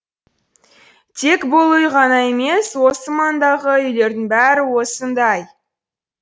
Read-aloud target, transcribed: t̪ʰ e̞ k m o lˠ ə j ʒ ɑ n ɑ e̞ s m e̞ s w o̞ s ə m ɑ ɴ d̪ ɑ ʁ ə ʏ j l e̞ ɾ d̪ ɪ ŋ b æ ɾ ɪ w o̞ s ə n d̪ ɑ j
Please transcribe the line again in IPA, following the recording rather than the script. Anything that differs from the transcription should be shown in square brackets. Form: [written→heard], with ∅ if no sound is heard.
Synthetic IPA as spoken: t̪ʰ e̞ k [m→b] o lˠ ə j [ʒ→ʁ] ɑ n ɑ e̞ [s→∅] m e̞ s w o̞ s ə m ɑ [ɴ→n] d̪ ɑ ʁ ə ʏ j l e̞ ɾ d̪ ɪ ŋ b æ ɾ ɪ w o̞ s ə n d̪ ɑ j